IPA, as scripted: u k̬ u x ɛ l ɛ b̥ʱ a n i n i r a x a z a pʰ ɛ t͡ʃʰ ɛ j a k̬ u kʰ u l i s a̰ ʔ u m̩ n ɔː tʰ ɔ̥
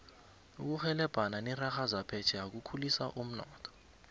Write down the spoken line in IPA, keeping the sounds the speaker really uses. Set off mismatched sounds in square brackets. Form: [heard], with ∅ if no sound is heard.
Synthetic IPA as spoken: u k̬ u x ɛ l ɛ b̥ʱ a n [a] n i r a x a z a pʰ ɛ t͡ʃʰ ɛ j a k̬ u kʰ u l i s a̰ ʔ u m̩ n ɔː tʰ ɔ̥